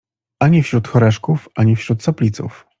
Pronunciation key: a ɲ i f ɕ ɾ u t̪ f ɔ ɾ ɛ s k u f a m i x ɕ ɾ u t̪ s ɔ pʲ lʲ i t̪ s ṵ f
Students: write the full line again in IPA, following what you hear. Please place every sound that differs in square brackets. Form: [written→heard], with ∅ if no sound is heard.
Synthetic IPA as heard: a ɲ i f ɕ ɾ u t̪ [f→x] ɔ ɾ ɛ [s→ʂ] k u f a [m→ɲ] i [x→f] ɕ ɾ u t̪ s ɔ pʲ lʲ i t̪ s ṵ f